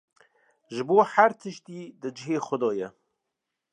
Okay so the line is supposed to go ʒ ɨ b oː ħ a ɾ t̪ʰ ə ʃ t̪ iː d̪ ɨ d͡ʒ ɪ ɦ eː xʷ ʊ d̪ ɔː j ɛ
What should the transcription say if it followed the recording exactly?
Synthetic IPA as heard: ʒ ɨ b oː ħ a ɾ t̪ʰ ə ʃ t̪ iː d̪ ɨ d͡ʒ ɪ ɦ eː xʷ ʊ d̪ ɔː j ɛ